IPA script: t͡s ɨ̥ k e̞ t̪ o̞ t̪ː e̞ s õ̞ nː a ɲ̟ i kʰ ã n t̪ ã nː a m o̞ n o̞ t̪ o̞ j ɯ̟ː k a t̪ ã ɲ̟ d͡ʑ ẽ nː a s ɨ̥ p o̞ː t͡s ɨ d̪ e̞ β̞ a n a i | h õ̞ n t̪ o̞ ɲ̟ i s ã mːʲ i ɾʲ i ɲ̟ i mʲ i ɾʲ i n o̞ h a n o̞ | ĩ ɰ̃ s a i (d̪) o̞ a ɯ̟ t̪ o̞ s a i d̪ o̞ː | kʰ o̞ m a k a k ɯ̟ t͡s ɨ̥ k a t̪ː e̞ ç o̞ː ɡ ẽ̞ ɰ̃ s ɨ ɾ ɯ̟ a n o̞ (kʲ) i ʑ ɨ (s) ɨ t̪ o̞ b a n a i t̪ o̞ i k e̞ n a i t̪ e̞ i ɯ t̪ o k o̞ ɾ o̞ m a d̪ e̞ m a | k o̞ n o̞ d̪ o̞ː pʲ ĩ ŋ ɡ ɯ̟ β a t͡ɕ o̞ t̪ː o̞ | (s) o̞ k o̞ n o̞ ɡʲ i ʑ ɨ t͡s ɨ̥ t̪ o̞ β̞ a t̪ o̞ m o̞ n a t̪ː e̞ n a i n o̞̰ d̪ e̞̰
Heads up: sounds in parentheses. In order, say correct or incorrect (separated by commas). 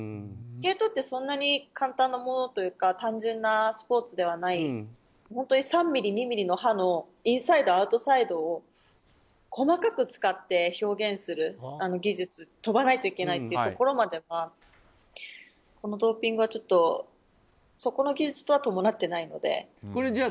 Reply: correct, incorrect, incorrect, correct